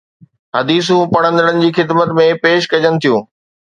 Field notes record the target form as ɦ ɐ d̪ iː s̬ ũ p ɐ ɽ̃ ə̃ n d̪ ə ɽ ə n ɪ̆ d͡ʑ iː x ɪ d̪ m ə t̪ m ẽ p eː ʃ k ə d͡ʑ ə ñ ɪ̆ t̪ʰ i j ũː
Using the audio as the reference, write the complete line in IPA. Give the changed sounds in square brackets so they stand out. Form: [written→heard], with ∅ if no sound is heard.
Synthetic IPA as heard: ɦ ɐ d̪ iː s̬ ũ p ɐ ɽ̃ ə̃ n d̪ ə ɽ ə n ɪ̆ d͡ʑ iː x ɪ d̪ m ə t̪ m ẽ p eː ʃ k [ə→ɐ] d͡ʑ ə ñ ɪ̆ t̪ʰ i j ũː